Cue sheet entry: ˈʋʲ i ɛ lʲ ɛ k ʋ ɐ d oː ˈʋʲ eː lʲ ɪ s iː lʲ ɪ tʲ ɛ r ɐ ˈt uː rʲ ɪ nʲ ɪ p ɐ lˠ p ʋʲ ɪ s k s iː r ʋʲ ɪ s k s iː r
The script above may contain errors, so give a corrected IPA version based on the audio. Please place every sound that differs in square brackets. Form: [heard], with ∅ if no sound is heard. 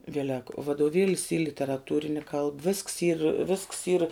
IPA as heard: ˈʋʲ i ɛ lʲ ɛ k ʋ ɐ d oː ˈʋʲ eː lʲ ɪ s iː lʲ ɪ tʲ ɛ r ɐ ˈt uː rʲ ɪ nʲ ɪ [k] ɐ lˠ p ʋʲ ɪ s k s iː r ʋʲ ɪ s k s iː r